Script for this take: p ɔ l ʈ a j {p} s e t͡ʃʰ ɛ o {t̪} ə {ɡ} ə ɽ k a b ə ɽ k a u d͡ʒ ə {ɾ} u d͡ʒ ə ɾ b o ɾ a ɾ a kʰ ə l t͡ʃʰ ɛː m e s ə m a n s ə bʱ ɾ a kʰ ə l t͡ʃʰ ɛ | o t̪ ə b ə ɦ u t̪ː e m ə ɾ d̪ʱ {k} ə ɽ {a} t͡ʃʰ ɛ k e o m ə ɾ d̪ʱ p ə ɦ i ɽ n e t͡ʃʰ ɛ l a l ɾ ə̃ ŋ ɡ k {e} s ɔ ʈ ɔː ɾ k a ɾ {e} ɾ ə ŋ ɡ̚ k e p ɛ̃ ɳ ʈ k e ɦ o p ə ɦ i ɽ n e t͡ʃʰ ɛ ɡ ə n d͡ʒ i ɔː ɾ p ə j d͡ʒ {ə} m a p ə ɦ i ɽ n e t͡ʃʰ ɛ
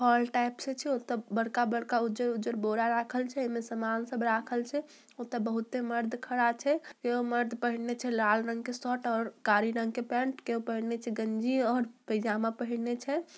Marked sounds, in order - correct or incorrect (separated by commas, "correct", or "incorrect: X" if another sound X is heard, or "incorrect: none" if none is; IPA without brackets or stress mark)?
correct, correct, incorrect: b, correct, incorrect: kʰ, correct, correct, incorrect: i, incorrect: a